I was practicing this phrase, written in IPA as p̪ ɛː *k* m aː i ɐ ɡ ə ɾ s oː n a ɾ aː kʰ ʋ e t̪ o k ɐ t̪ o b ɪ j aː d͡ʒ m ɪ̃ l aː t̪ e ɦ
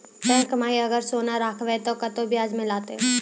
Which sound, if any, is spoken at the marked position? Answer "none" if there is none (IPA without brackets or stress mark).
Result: k